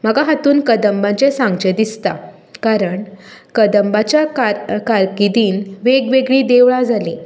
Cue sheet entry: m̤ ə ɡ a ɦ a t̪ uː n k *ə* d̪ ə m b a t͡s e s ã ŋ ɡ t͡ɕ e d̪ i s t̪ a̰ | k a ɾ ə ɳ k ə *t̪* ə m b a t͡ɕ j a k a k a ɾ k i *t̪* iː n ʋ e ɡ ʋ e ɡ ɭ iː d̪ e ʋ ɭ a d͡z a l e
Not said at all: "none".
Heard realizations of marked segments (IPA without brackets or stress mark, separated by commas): ə, d̪, d̪